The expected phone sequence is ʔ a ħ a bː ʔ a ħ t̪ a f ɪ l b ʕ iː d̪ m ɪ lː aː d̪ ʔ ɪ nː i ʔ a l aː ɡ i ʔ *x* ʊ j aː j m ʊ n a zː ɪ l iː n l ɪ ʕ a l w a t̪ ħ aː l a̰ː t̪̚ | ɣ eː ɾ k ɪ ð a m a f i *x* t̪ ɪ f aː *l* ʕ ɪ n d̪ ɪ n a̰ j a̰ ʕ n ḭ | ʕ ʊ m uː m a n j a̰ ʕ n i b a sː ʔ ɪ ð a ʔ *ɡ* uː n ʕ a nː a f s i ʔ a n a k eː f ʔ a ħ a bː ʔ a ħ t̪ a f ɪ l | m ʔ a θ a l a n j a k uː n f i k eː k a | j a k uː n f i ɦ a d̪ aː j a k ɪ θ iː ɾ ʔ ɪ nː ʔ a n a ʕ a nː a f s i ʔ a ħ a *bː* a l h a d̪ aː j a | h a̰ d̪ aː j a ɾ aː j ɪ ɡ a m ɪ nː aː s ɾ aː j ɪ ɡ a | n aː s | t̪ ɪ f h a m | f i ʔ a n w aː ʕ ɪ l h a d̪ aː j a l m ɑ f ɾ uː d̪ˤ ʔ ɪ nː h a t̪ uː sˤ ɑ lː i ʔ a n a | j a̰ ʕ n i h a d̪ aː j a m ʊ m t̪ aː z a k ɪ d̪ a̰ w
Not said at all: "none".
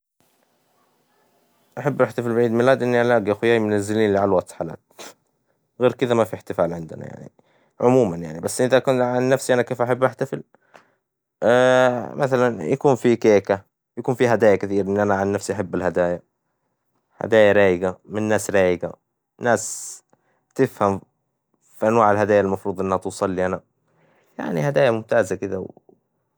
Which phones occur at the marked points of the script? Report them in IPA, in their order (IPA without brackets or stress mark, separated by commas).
x, ħ, l, k, bː